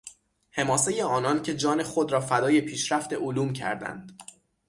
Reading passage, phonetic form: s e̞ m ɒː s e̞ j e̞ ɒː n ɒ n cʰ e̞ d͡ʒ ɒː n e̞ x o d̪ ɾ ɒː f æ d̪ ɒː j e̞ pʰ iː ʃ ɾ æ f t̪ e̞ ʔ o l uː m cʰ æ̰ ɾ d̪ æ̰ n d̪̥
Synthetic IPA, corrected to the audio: h e̞ m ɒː s e̞ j e̞ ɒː n ɒ n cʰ e̞ d͡ʒ ɒː n e̞ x o d̪ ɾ ɒː f æ d̪ ɒː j e̞ pʰ iː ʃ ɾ æ f t̪ e̞ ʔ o l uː m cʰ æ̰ ɾ d̪ æ̰ n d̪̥

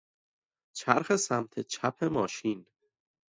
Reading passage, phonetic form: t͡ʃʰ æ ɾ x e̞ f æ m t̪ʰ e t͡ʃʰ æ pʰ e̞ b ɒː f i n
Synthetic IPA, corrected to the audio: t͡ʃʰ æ ɾ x e̞ s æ m t̪ʰ e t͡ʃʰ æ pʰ e̞ m ɒː ʃ i n

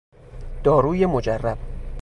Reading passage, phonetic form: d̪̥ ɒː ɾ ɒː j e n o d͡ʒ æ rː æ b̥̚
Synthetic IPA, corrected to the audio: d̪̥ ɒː ɾ uː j e m o d͡ʒ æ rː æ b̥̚

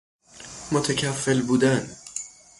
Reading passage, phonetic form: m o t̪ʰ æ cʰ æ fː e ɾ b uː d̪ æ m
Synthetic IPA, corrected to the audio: m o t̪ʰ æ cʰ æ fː e l b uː d̪ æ n

